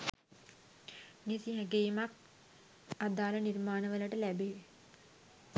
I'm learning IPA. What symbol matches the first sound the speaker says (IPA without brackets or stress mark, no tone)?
n